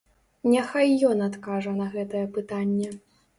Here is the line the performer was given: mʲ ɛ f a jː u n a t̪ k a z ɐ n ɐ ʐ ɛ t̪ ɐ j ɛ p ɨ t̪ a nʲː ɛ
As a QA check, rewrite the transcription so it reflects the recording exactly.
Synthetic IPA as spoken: nʲ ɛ x a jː ɔ n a t̪ k a ʐ ɐ n ɐ ɣ ɛ t̪ ɐ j ɛ p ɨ t̪ a nʲː ɛ

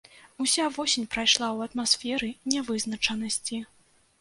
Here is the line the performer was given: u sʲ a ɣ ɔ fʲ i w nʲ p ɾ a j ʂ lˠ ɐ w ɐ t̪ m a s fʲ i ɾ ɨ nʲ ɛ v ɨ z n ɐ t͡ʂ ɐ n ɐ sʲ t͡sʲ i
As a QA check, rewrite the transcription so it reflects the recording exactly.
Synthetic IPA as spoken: u sʲ a v ɔ sʲ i nʲ p ɾ a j ʂ lˠ a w ɐ t̪ m a s fʲ ɛ ɾ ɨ nʲ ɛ v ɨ z n ɐ t͡ʂ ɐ n ɐ sʲ t͡sʲ i

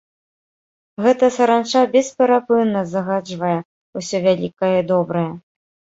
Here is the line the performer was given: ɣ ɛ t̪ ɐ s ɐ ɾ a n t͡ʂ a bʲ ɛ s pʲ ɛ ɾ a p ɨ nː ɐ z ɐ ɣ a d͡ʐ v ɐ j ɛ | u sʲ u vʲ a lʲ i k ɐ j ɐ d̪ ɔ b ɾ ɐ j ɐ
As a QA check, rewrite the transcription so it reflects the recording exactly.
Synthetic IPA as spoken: ɣ ɛ t̪ ɐ s ɐ ɾ a n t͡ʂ a bʲ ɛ s pʲ ɛ ɾ a p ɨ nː ɐ z ɐ ɣ a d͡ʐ v ɐ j ɛ | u sʲ ɔ vʲ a lʲ i k ɐ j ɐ d̪ ɔ b ɾ ɐ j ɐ

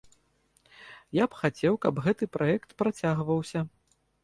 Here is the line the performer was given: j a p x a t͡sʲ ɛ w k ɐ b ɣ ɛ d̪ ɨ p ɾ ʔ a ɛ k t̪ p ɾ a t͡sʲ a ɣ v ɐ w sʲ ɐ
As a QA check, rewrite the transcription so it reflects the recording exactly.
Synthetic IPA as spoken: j a p x a t͡sʲ ɛ w k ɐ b ɣ ɛ t̪ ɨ p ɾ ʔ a ɛ k t̪ p ɾ a t͡sʲ a ɣ v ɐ w sʲ ɐ

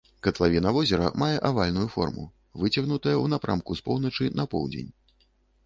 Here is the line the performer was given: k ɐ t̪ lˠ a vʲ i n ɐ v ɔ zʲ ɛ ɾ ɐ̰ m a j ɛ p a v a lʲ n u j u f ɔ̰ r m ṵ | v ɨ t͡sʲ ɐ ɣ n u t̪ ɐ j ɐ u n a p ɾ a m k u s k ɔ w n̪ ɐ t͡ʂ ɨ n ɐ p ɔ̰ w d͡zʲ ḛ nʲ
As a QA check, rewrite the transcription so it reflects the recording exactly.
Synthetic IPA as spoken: k ɐ t̪ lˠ a vʲ i n ɐ v ɔ zʲ ɛ ɾ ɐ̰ m a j ɛ ʔ a v a lʲ n u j u f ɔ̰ r m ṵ | v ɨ t͡sʲ ɐ ɣ n u t̪ ɐ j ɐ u n a p ɾ a m k u s p ɔ w n̪ ɐ t͡ʂ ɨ n ɐ p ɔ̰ w d͡zʲ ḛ nʲ

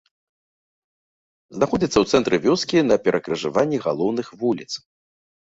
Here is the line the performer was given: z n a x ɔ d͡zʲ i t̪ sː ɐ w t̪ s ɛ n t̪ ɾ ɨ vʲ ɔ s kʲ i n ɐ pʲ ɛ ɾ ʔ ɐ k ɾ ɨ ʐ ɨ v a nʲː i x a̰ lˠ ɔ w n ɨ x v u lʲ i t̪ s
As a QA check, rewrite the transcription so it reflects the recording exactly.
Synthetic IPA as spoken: z n a x ɔ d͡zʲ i t̪ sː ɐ w t̪ s ɛ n t̪ ɾ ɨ vʲ ɔ s kʲ i n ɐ pʲ ɛ ɾ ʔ ɐ k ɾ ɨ ʐ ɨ v a nʲː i ɣ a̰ lˠ ɔ w n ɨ x v u lʲ i t̪ s

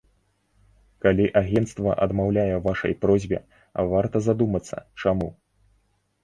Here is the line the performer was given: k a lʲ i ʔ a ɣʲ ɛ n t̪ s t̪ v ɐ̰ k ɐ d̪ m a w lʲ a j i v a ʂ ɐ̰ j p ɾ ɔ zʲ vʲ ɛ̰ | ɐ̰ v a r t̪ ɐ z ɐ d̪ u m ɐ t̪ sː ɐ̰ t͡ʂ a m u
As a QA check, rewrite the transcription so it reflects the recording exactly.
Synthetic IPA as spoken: k a lʲ i ʔ a ɣʲ ɛ n t̪ s t̪ v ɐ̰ ʔ ɐ d̪ m a w lʲ a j ɛ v a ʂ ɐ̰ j p ɾ ɔ zʲ bʲ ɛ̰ | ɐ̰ v a r t̪ ɐ z a d̪ u m ɐ t̪ sː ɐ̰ t͡ʂ a m u

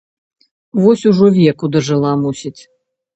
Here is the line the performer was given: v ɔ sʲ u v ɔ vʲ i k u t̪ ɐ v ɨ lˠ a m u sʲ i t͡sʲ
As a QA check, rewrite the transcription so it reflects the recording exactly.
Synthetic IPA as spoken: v ɔ sʲ u ʐ ɔ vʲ ɛ k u d̪ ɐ ʐ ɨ lˠ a m u sʲ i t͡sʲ

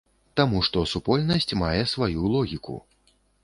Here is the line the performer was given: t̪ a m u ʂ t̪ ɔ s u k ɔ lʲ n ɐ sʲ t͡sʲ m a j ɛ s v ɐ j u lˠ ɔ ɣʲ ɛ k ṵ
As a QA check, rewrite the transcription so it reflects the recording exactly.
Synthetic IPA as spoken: t̪ a m u ʂ t̪ ɔ s u p ɔ lʲ n ɐ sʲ t͡sʲ m a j ɛ s v a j u lˠ ɔ ɣʲ i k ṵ

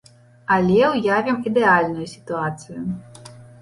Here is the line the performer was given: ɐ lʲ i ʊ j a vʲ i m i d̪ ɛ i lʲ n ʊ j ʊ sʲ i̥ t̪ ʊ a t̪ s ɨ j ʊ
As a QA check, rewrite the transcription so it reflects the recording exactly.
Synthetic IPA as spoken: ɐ lʲ ɛ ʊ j a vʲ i m i d̪ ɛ a lʲ n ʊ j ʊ sʲ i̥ t̪ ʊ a t̪ s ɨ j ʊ

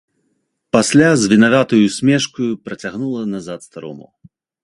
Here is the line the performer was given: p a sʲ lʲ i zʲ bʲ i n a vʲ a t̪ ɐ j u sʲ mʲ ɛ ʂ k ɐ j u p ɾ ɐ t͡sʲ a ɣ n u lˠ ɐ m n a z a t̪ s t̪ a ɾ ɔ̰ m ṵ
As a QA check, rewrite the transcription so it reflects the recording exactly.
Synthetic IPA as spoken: p a sʲ lʲ a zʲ vʲ i n a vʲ a t̪ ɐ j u sʲ mʲ ɛ ʂ k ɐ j u p ɾ ɐ t͡sʲ a ɣ n u lˠ ɐ n a z a t̪ s t̪ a ɾ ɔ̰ m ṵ

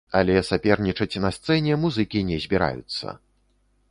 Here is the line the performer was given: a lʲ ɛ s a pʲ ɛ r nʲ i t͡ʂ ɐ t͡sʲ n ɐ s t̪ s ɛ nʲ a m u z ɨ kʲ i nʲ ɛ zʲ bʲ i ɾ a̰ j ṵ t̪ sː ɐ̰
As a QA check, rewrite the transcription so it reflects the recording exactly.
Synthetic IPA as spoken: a lʲ ɛ s a pʲ ɛ r nʲ i t͡ʂ ɐ t͡sʲ n ɐ s t̪ s ɛ nʲ ɛ m u z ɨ kʲ i nʲ ɛ zʲ bʲ i ɾ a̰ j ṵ t̪ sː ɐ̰

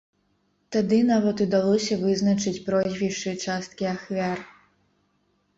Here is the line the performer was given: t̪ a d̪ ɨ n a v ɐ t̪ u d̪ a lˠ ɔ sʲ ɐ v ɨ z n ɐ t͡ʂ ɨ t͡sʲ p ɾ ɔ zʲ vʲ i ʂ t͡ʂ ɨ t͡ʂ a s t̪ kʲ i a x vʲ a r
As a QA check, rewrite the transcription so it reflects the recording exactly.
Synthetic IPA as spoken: t̪ a d̪ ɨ n a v ɐ t̪ u d̪ a lˠ ɔ sʲ ɐ v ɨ z n ɐ t͡ʂ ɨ t͡sʲ p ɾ ɔ zʲ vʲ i ʂ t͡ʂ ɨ t͡ʂ a s t̪ kʲ i a x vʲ a r

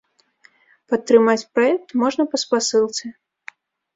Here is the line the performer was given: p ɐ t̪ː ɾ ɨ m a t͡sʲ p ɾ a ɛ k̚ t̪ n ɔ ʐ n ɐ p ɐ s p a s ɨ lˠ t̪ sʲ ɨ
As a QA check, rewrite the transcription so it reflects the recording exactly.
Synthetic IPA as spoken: p ɐ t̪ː ɾ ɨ m a t͡sʲ p ɾ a ɛ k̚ t̪ m ɔ ʐ n ɐ p ɐ s p a s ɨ lˠ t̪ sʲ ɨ

